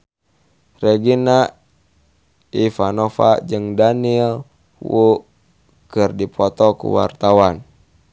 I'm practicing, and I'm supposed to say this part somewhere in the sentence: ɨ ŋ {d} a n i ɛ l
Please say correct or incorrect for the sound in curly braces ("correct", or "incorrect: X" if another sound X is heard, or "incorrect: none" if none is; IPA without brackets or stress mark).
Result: correct